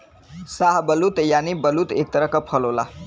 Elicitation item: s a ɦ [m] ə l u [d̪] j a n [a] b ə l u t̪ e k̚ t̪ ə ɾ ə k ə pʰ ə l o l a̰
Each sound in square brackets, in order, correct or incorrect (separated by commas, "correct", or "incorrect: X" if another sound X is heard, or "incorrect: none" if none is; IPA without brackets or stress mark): incorrect: b, incorrect: t̪, incorrect: i